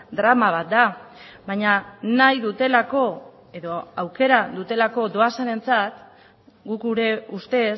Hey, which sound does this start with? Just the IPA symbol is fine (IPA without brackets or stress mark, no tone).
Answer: d̪